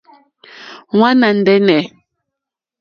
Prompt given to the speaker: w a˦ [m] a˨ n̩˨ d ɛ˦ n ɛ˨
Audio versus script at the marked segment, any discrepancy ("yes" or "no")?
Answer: yes